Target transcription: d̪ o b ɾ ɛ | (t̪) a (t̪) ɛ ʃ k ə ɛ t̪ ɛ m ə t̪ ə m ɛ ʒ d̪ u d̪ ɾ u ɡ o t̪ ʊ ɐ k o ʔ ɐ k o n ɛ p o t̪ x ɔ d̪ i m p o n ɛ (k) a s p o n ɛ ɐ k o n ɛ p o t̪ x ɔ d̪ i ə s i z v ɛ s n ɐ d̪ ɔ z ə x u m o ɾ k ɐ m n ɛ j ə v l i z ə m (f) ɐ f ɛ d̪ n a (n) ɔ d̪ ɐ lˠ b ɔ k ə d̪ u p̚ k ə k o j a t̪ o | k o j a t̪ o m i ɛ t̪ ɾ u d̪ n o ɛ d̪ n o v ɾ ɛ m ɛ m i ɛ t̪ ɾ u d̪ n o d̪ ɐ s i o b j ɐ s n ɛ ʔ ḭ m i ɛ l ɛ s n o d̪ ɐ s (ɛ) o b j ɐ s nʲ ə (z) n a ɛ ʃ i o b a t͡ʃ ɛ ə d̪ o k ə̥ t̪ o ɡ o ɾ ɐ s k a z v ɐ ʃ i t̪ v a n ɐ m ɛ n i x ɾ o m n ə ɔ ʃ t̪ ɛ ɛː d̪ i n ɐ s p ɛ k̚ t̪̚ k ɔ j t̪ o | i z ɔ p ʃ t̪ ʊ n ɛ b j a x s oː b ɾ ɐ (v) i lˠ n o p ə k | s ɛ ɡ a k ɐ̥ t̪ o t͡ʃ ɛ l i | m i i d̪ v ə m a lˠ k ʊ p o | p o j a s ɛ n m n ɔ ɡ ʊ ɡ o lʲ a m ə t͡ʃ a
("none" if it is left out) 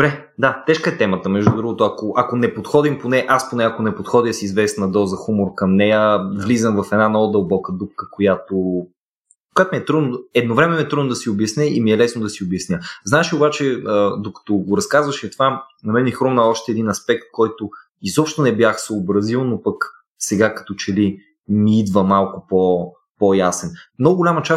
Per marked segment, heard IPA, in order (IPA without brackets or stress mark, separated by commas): d̪, t̪, ʔ, v, n, i, z, z